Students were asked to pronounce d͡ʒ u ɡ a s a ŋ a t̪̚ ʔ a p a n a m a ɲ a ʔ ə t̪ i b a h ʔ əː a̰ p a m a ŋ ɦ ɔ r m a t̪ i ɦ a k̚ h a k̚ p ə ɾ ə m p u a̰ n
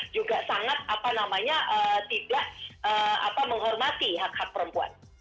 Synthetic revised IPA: d͡ʒ u ɡ a s a ŋ a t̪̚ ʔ a p a n a m a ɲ a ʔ ə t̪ i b a h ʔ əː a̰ p a m ə ŋ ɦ ɔ r m a t̪ i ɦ a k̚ h a k̚ p ə ɾ ə m p u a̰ n